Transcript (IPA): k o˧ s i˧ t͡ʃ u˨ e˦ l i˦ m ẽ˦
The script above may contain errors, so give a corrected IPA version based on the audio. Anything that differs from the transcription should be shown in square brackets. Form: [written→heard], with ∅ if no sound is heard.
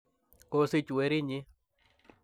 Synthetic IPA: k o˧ s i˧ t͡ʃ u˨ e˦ [l→ɾ] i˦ [m→ɲ] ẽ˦